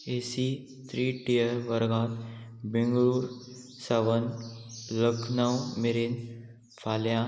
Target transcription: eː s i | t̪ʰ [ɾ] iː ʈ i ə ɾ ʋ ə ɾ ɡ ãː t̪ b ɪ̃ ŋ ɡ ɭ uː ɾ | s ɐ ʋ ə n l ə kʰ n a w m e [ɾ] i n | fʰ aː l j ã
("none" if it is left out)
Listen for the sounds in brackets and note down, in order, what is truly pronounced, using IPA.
ɾ, ɾ

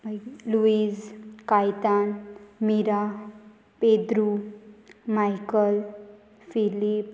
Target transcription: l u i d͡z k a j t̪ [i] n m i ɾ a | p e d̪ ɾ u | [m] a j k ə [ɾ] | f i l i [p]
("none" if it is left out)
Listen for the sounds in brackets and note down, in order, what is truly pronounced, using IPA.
a, m, l, p

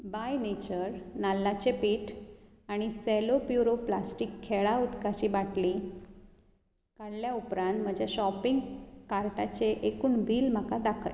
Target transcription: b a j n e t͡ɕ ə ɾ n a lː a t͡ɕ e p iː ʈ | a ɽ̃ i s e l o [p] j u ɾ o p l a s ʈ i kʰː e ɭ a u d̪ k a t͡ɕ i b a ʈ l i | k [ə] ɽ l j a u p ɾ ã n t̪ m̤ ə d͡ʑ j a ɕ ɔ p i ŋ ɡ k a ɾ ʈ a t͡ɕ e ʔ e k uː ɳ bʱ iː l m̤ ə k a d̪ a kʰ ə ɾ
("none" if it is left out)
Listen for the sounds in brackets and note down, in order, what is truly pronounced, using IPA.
p, a

